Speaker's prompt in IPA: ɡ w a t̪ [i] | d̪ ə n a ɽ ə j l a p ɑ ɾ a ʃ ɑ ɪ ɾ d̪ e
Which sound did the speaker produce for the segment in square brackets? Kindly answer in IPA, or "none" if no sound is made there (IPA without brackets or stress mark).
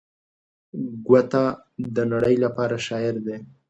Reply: a